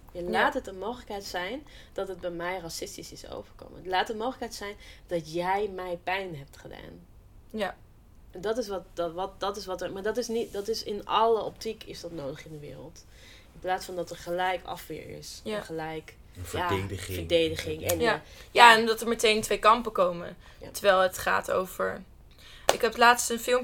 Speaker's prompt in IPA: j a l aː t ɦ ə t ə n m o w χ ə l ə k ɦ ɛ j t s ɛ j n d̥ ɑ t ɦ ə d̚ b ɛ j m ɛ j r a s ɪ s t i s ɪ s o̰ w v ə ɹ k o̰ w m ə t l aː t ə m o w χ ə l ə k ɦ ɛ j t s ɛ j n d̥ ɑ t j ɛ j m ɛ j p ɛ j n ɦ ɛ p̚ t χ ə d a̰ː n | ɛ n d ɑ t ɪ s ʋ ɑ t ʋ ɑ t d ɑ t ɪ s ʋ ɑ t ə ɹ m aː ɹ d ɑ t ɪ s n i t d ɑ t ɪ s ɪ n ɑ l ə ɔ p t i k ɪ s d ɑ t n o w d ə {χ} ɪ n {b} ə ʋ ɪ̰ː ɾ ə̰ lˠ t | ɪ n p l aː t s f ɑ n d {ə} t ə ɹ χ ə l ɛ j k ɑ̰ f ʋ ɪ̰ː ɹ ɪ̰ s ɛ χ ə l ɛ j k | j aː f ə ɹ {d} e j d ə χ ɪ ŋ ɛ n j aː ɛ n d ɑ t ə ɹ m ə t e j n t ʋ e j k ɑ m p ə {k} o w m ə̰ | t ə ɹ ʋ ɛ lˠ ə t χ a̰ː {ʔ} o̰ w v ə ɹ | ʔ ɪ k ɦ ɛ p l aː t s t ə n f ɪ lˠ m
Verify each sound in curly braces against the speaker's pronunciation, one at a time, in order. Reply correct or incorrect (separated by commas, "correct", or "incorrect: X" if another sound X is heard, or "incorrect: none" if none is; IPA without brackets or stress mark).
correct, incorrect: d, incorrect: ɑ, correct, correct, incorrect: t